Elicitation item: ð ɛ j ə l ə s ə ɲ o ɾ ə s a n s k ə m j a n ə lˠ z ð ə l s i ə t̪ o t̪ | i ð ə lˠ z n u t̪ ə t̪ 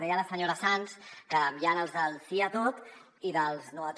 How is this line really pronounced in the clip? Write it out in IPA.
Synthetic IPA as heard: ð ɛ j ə l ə s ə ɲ o ɾ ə s a n s k ə m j a n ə lˠ z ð ə l s i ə t̪ o t̪ | i ð ə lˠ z n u ə t̪